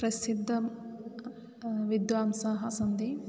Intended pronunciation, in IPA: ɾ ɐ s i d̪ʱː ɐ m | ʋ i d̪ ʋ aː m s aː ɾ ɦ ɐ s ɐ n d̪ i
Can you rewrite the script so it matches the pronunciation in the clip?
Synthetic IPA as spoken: ɾ ɐ s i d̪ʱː ɐ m | ʋ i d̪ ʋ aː m s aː ɦ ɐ s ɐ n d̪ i